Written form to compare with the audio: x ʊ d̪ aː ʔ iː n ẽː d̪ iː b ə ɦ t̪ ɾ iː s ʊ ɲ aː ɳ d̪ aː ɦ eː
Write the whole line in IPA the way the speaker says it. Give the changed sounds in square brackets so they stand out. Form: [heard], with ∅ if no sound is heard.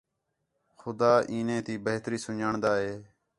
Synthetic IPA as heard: x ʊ d̪ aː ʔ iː n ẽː [t̪] iː b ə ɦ t̪ ɾ iː s ʊ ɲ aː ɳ d̪ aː ɦ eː